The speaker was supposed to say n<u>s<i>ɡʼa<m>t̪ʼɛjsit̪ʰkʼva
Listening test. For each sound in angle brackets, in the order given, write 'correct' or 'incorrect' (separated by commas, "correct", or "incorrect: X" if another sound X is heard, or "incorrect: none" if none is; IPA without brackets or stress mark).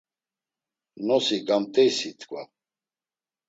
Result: incorrect: ɔ, correct, correct